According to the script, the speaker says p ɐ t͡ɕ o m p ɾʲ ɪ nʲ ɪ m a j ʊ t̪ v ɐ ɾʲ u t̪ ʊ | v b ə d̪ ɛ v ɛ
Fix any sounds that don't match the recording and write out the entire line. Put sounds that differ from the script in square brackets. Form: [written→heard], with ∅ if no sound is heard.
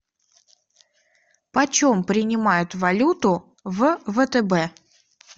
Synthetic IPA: p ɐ t͡ɕ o m p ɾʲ ɪ nʲ ɪ m a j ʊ t̪ v ɐ [ɾʲ→lʲ] u t̪ ʊ | v [b→v] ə [d̪→t̪] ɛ [v→b] ɛ